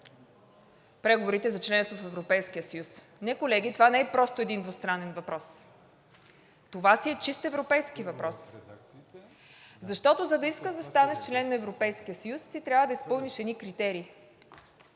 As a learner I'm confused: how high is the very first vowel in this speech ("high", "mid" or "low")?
mid